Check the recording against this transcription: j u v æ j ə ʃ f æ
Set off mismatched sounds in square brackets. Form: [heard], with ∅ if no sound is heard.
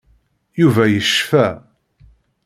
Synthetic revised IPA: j u v æ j ə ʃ f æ